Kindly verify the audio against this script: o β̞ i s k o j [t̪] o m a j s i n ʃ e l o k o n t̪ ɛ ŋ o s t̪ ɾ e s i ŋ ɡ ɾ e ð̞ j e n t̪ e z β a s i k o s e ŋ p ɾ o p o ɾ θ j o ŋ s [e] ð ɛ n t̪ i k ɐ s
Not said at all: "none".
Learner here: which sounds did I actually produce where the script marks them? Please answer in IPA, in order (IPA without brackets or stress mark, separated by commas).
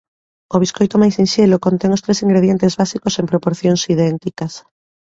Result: t̪, i